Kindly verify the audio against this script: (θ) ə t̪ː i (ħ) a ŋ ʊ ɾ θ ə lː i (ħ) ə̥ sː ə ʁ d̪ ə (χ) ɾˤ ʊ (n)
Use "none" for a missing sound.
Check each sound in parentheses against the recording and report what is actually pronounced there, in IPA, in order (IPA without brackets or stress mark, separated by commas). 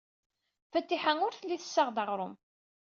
f, ħ, θ, ʁ, m